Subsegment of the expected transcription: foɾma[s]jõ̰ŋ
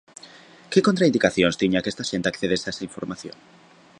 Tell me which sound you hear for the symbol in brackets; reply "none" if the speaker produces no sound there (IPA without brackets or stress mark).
θ